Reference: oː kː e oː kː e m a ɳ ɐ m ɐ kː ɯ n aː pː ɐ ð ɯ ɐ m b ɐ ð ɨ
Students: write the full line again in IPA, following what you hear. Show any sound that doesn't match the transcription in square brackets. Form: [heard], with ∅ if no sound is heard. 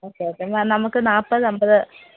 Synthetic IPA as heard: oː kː e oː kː e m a [n] ɐ m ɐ kː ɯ n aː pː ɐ ð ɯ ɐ m b ɐ ð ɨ